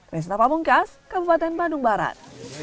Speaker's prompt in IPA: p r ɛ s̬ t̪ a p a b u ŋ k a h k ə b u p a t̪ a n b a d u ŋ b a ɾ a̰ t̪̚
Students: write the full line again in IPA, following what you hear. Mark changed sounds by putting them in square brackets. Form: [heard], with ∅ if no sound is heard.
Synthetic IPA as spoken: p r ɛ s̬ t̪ a p a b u ŋ k a [s] k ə b u p a t̪ [ɛ] n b a d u ŋ b a ɾ a̰ t̪̚